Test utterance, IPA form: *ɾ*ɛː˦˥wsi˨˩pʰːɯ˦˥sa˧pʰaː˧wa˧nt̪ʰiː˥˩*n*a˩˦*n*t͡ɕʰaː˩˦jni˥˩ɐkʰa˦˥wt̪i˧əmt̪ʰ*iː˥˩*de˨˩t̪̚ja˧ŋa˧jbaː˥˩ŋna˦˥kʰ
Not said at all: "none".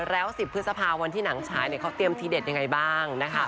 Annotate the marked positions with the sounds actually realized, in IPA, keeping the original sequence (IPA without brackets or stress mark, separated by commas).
ɾ, n, ŋ, iː˧